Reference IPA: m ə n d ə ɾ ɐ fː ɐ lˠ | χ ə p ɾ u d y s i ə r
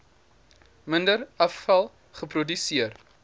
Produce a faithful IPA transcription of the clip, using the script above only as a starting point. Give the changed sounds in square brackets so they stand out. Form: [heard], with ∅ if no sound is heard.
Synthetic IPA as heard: m ə n d ə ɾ ɐ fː ɐ lˠ | χ ə p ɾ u d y s i ə r